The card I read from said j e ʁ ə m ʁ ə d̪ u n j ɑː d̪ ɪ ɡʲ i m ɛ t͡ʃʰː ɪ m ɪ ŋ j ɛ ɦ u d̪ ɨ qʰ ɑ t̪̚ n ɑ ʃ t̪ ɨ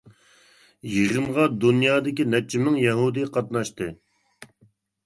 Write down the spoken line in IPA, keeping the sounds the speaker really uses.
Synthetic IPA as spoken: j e ʁ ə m ʁ ɑ d̪ u n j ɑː d̪ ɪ kʲ i n ɛ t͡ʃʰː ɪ m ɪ ŋ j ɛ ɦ u d̪ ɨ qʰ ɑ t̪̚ n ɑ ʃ t̪ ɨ

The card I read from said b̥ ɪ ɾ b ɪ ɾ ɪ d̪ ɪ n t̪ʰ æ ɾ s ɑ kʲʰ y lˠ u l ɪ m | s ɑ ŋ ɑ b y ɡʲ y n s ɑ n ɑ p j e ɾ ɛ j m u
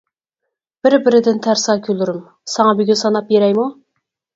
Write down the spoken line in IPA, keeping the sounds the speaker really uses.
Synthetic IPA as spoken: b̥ ɪ ɾ b ɪ ɾ ɪ d̪ ɪ n t̪ʰ æ ɾ s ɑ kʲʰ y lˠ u ɾ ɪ m | s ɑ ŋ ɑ b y ɡʲ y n s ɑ n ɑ p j e ɾ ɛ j m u

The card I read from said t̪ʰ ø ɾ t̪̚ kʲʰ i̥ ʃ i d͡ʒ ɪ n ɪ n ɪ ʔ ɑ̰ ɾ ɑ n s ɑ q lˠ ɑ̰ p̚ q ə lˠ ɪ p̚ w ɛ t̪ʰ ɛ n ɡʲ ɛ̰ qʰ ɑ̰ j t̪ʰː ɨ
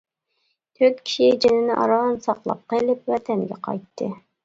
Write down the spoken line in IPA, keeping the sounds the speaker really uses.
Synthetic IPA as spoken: t̪ʰ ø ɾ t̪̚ kʲʰ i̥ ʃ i d͡ʒ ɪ n ɪ n ɪ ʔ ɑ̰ ɾ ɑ n s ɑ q lˠ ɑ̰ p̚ q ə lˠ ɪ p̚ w ɛ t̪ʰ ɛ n ɡʲ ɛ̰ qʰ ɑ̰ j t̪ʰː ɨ

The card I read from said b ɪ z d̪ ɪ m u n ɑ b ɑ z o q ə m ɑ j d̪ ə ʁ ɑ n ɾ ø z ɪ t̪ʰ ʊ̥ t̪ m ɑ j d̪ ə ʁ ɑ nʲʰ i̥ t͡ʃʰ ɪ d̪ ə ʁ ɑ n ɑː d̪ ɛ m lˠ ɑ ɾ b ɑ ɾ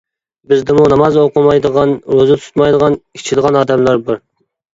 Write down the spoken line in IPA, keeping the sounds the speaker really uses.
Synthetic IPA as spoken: b ɪ z d̪ ɪ m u n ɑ m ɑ z o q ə m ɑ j d̪ ə ʁ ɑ n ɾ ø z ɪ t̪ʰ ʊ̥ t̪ m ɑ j d̪ ə ʁ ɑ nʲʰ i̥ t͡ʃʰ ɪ d̪ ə ʁ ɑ n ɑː d̪ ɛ m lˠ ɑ ɾ b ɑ ɾ

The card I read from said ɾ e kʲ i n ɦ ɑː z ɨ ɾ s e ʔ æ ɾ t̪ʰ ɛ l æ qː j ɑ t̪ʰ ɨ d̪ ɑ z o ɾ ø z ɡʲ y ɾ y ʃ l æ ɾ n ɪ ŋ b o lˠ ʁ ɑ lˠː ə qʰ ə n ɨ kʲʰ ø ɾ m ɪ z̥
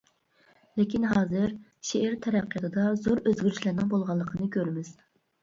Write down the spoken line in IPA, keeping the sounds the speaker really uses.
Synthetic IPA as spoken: l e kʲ i n ɦ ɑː z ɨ ɾ ʃ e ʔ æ ɾ t̪ʰ ɛ ɾ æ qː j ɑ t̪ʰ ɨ d̪ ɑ z o ɾ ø z ɡʲ y ɾ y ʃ l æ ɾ n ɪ ŋ b o lˠ ʁ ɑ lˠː ə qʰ ə n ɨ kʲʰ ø ɾ m ɪ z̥

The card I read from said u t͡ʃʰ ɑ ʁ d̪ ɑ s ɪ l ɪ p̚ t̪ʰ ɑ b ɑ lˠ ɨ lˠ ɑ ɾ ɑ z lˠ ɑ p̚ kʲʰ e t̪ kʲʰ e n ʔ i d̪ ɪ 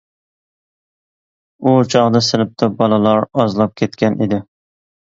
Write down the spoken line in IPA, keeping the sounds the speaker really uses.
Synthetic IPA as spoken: u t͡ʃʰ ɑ ʁ d̪ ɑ s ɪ l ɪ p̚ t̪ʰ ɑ b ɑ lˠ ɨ lˠ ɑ ɾ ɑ z lˠ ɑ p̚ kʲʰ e t̪ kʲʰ ɛ n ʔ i d̪ ɪ

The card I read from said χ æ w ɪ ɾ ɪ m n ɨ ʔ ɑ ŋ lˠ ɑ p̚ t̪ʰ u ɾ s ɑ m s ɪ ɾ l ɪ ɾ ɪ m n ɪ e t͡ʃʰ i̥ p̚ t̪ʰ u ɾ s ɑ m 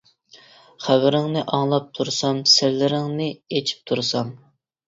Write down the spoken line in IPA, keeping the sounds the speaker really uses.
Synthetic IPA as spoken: χ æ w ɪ ɾ ɪ ŋ n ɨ ʔ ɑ ŋ lˠ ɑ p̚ t̪ʰ u ɾ s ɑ m s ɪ ɾ l ɪ ɾ ɪ ŋ n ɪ e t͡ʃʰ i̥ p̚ t̪ʰ u ɾ s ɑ m

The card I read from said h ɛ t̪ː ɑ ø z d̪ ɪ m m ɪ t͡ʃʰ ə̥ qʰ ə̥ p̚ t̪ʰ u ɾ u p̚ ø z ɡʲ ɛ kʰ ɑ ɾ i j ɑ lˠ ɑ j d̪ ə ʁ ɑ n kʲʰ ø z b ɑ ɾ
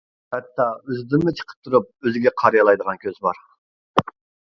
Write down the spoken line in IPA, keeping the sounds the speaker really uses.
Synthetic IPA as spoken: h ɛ t̪ː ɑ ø z d̪ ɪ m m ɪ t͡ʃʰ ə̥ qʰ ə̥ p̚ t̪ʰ u ɾ u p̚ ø z ɡʲ ɛ qʰ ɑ ɾ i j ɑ lˠ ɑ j d̪ ə ʁ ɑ n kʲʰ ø z b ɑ ɾ

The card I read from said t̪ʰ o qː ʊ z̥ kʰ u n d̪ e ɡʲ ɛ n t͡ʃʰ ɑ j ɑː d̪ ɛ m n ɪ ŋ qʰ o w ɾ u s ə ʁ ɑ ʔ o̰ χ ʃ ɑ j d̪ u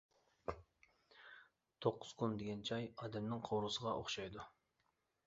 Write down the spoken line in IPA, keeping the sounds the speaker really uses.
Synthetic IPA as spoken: t̪ʰ o qː ʊ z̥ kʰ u n d̪ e ɡʲ ɛ n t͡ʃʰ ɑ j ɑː d̪ ɛ m n ɪ ŋ qʰ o w ɾ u s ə ʁ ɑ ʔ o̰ χ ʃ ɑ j d̪ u

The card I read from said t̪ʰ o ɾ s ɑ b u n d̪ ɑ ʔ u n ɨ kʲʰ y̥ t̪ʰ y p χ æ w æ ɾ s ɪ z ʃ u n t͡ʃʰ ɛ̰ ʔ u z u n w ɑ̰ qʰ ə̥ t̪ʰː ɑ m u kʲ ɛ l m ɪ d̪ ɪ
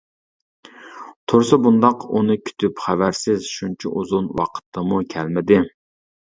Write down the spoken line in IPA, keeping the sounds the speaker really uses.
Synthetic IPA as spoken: t̪ʰ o ɾ s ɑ b u n d̪ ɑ q u n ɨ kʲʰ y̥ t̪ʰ y p χ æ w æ ɾ s ɪ z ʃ u n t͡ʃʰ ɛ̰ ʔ u z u n w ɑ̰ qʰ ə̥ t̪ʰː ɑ m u kʲʰ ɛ l m ɪ d̪ ɪ

